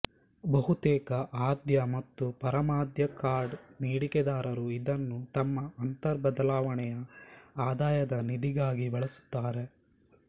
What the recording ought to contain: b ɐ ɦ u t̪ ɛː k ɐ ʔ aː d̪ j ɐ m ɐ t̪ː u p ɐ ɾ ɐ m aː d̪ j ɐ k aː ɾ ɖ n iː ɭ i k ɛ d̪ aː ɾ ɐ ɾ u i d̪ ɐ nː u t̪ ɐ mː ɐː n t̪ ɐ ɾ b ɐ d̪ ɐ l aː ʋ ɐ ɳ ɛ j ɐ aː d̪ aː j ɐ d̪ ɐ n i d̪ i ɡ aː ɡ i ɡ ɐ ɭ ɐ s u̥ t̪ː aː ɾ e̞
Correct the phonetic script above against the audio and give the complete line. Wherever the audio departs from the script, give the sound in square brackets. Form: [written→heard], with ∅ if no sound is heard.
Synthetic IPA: b ɐ ɦ u t̪ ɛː k ɐ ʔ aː d̪ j ɐ m ɐ t̪ː u p ɐ ɾ ɐ m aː d̪ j ɐ k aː ɾ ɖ n iː [ɭ→ɽ] i k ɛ d̪ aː ɾ ɐ ɾ u i d̪ ɐ nː u t̪ ɐ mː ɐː n t̪ ɐ ɾ b ɐ d̪ ɐ l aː ʋ ɐ ɳ ɛ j ɐ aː d̪ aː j ɐ d̪ ɐ n i d̪ i ɡ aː ɡ i [ɡ→b] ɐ ɭ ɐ s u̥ t̪ː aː ɾ e̞

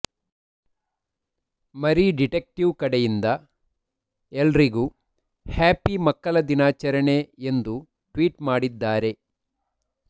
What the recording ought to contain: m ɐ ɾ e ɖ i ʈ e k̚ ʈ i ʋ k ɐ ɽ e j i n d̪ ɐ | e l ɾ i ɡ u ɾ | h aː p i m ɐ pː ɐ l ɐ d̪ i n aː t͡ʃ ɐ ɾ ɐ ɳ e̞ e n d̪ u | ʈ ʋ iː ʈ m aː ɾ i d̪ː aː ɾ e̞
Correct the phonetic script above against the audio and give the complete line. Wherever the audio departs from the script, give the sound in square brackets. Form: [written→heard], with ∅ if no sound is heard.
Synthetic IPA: m ɐ ɾ [e→i] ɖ i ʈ e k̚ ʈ i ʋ k ɐ ɽ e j i n d̪ ɐ | e l ɾ i ɡ u [ɾ→∅] | h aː p i m ɐ [pː→kː] ɐ l ɐ d̪ i n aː t͡ʃ ɐ ɾ ɐ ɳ e̞ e n d̪ u | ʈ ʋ iː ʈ m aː [ɾ→ɽ] i d̪ː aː ɾ e̞

